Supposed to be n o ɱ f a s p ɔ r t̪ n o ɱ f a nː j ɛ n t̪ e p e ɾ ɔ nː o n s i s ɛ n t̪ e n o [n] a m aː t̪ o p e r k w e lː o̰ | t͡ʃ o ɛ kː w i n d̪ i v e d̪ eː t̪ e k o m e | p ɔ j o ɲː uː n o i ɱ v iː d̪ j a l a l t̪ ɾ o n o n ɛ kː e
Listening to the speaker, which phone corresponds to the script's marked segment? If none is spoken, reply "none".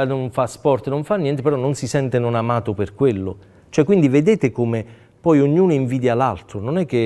n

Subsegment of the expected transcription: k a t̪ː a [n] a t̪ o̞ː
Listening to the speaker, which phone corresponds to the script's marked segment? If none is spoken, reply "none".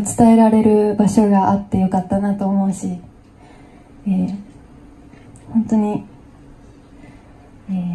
n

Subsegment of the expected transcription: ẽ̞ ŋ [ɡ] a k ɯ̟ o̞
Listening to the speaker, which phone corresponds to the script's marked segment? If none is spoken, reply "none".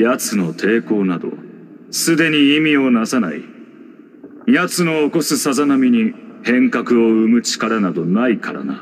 k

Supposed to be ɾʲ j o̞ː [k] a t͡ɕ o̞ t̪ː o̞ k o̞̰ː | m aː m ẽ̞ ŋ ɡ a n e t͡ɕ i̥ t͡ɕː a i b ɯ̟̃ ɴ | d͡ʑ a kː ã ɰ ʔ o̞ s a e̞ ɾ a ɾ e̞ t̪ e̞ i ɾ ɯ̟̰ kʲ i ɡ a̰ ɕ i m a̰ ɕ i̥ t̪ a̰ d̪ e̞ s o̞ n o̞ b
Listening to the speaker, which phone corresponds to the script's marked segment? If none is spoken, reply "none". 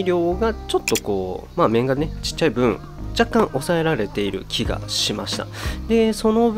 ɡ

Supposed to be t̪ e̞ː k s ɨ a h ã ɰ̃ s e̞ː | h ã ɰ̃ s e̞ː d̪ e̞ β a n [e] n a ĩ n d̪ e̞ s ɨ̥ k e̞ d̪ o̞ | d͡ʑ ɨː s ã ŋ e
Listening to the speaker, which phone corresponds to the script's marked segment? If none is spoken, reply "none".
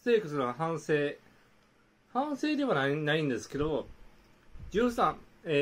a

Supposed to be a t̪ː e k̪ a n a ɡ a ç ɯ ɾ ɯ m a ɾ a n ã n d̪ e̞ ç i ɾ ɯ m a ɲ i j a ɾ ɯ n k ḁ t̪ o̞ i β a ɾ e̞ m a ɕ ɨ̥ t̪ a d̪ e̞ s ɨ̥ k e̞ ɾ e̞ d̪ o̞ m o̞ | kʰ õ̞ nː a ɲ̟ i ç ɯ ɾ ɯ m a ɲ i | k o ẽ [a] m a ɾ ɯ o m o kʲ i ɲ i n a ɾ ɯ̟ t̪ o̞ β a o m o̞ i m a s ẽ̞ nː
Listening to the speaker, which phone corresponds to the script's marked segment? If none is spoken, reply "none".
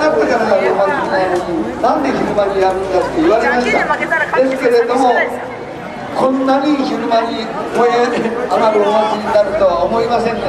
a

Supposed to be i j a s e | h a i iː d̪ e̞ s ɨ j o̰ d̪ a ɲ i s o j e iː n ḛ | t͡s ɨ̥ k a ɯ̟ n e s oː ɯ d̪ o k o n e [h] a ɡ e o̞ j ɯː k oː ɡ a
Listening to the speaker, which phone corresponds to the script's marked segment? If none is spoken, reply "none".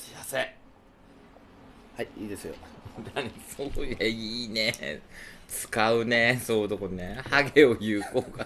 h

